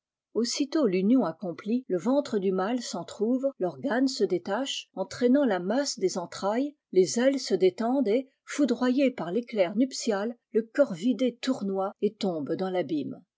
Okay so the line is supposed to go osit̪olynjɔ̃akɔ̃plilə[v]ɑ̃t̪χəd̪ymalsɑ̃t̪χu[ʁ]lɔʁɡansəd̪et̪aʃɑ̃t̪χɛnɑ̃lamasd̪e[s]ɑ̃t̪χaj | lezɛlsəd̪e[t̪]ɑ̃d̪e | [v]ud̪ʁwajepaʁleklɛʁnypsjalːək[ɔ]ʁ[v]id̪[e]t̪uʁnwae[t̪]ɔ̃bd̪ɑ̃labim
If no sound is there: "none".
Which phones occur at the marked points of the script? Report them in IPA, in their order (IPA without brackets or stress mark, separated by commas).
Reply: v, v, z, t̪, f, ɔ, v, e, t̪